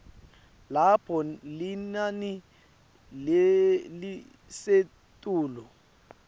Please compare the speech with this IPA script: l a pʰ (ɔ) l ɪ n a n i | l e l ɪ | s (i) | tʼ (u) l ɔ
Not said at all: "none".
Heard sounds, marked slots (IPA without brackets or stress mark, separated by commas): ɔ, e, uː